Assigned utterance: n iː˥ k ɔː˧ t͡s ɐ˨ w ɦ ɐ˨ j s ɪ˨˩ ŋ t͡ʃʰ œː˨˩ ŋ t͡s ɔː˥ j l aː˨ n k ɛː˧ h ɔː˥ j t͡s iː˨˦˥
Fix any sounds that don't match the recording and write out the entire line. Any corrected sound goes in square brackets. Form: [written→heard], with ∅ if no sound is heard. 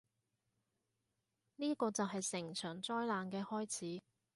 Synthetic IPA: n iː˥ k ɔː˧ t͡s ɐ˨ w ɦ ɐ˨ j s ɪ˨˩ ŋ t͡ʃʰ œː˨˩ ŋ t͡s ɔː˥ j l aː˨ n k ɛː˧ h ɔː˥ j [t͡s→t͡sʰ] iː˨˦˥